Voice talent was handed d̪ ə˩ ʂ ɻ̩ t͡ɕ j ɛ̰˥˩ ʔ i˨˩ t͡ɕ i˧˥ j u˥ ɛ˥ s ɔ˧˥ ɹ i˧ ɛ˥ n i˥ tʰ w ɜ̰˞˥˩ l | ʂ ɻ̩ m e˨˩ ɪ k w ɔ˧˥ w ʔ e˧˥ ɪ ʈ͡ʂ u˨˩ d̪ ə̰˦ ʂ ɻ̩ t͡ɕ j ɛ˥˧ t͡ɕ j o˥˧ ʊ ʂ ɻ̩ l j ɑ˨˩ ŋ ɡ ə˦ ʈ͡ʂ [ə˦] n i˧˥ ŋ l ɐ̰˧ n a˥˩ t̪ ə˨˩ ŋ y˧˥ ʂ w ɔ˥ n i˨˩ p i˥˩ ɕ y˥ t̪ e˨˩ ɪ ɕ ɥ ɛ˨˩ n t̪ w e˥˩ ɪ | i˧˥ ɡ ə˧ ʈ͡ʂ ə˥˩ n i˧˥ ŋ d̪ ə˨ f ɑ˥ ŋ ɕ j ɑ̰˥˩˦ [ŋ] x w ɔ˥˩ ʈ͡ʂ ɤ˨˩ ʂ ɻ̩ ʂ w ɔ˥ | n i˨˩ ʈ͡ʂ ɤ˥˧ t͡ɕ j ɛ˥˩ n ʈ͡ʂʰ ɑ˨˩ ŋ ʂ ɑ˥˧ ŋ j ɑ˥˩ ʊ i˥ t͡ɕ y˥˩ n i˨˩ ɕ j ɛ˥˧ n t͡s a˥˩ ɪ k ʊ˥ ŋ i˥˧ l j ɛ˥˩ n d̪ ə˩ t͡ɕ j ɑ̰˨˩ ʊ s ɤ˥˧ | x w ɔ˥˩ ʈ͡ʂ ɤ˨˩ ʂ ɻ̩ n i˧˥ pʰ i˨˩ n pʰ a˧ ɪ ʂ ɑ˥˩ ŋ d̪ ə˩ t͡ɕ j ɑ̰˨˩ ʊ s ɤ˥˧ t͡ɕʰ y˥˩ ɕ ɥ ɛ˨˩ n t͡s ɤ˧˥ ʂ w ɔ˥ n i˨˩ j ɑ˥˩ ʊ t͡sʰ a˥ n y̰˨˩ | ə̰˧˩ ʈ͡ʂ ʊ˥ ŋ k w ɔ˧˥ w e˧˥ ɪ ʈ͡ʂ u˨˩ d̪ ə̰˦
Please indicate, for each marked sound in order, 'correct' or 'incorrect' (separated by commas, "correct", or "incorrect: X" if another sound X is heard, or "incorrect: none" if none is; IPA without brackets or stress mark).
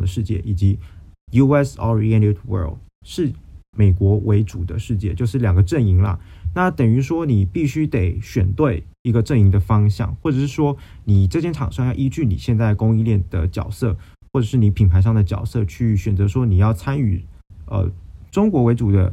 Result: incorrect: ə˥˩, correct